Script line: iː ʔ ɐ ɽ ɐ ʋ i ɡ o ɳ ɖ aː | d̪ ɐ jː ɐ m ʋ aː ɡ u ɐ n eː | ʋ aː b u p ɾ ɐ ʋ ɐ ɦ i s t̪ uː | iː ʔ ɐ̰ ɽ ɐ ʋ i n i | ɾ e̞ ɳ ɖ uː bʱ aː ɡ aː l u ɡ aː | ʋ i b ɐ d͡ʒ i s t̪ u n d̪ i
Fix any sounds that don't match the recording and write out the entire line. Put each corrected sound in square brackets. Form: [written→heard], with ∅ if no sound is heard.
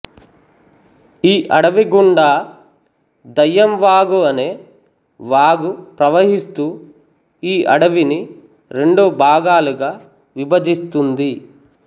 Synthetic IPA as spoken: iː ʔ ɐ ɽ ɐ ʋ i ɡ [o→u] ɳ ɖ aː | d̪ ɐ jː ɐ m ʋ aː ɡ u ɐ n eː | ʋ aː [b→ɡ] u p ɾ ɐ ʋ ɐ ɦ i s t̪ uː | iː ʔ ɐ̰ ɽ ɐ ʋ i n i | ɾ e̞ ɳ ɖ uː bʱ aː ɡ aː l u ɡ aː | ʋ i b ɐ d͡ʒ i s t̪ u n d̪ i